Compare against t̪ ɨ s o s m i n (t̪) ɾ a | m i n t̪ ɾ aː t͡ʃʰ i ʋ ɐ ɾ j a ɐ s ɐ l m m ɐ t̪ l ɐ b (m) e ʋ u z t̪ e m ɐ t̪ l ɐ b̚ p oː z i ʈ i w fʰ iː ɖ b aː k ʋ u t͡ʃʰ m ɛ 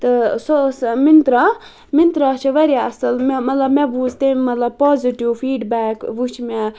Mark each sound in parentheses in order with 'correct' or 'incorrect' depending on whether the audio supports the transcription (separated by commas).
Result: correct, correct